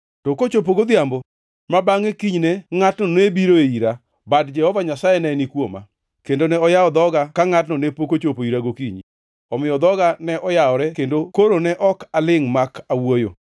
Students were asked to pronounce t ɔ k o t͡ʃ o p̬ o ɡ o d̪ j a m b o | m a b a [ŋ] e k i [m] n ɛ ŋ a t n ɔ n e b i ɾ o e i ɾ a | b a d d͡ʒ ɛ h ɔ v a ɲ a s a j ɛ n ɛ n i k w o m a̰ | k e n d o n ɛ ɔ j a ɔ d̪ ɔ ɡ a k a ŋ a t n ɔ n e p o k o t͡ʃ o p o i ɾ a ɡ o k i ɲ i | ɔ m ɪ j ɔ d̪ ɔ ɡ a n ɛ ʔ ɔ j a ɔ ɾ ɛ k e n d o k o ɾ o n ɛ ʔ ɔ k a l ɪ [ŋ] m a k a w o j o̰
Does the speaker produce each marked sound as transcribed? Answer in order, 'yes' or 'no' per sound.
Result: yes, no, yes

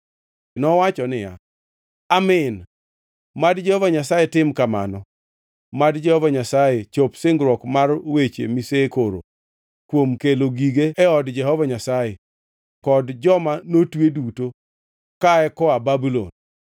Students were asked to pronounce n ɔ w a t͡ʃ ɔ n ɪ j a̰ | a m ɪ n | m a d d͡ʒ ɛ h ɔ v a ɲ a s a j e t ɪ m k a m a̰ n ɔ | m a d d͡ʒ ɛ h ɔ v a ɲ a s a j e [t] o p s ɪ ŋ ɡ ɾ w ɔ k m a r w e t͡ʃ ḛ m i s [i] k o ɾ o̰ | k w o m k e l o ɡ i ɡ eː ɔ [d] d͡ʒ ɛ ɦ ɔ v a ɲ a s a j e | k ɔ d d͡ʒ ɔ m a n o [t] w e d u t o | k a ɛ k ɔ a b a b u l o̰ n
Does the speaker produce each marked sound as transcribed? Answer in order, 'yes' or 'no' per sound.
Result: no, no, yes, yes

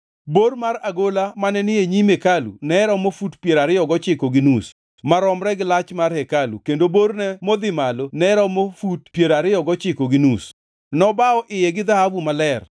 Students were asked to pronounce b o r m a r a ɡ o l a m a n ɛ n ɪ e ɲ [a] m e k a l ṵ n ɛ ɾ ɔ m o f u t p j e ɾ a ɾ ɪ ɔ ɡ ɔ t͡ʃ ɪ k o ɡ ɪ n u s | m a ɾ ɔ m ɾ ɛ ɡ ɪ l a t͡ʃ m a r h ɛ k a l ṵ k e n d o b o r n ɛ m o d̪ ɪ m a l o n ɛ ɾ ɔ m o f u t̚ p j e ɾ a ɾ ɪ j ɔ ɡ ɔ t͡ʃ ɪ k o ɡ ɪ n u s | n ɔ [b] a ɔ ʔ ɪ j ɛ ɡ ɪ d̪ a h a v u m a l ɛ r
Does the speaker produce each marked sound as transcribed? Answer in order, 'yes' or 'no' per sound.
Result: no, yes

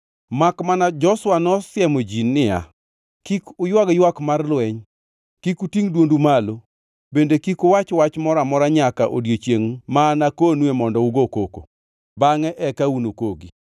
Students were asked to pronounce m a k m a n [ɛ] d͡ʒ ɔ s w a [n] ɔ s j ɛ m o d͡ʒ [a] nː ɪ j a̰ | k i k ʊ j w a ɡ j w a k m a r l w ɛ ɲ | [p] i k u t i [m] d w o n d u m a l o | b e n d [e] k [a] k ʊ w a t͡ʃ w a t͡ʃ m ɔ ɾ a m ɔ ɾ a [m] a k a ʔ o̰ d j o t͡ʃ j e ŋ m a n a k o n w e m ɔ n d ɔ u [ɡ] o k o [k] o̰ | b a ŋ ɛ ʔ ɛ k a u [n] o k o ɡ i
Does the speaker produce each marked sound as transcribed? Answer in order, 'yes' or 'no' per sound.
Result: no, yes, no, no, no, yes, no, no, yes, yes, yes

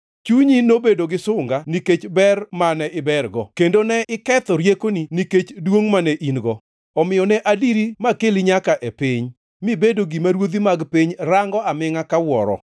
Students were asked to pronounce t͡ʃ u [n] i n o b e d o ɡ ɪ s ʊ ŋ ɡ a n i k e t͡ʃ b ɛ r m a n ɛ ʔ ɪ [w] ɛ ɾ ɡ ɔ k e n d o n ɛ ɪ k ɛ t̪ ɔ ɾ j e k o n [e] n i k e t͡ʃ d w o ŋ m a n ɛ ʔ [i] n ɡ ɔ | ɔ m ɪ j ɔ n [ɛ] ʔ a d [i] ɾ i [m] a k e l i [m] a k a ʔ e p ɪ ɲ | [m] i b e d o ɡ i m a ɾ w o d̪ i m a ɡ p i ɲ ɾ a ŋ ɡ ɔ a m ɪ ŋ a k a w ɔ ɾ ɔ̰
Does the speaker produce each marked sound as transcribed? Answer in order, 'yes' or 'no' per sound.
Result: no, no, no, yes, yes, yes, yes, no, yes

